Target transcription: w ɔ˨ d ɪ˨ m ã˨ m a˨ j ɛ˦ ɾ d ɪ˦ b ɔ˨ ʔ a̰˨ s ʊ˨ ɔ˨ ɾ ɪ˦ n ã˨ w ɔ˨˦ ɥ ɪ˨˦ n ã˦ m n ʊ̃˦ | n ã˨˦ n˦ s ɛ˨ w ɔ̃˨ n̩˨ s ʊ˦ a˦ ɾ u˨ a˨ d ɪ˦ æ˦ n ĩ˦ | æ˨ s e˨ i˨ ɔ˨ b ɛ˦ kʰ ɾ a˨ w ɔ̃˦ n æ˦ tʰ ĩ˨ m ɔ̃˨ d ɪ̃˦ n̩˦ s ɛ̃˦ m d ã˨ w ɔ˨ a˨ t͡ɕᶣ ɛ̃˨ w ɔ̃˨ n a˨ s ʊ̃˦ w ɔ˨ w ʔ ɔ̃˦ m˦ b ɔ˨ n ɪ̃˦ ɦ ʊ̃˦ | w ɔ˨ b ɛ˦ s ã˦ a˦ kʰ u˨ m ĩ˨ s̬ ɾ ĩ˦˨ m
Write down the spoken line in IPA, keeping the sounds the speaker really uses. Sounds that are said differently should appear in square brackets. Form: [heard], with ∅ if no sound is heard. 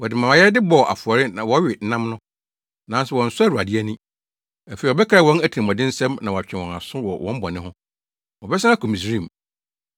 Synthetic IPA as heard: w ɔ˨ d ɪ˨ m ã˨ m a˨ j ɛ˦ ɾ d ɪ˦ b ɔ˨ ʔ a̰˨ [f] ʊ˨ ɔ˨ ɾ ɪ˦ n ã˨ w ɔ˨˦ ɥ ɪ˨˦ n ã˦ m n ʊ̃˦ | n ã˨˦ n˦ s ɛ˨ w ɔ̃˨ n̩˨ s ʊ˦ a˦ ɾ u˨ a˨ d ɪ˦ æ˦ n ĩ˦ | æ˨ [f] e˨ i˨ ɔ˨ b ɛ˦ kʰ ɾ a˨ w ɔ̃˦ n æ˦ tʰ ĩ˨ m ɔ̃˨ d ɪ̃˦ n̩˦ s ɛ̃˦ m [n] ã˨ w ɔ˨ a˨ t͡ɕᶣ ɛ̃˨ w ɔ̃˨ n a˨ s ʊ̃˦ w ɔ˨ w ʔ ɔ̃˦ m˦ b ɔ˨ n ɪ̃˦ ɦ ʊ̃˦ | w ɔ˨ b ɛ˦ s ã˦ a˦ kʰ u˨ m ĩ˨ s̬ ɾ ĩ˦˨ m